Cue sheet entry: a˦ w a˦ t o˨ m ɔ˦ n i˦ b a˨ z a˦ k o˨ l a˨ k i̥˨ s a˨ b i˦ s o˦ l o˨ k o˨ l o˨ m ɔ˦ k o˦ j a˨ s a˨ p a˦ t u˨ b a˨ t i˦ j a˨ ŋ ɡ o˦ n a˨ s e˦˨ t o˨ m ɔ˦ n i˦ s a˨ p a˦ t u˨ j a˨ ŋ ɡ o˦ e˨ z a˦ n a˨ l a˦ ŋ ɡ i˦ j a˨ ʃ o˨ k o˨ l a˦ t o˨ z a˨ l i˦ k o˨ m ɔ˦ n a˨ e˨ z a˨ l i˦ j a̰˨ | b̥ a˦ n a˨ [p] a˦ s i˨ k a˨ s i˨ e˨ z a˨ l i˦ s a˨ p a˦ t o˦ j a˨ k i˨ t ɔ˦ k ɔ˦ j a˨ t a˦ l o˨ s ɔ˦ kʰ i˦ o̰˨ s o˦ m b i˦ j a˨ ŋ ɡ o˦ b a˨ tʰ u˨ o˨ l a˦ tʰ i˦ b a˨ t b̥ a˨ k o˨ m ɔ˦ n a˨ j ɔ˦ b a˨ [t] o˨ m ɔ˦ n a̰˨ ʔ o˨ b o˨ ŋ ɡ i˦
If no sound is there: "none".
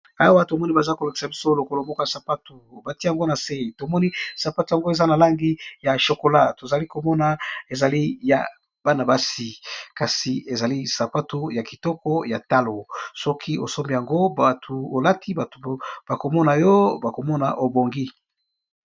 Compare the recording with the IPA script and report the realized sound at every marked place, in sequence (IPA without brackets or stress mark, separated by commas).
b, k